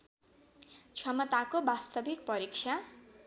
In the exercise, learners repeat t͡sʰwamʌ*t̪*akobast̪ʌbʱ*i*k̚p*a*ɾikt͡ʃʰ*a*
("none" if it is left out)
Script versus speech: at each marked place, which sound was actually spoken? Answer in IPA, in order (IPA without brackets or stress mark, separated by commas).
t̪, i, ʌ, a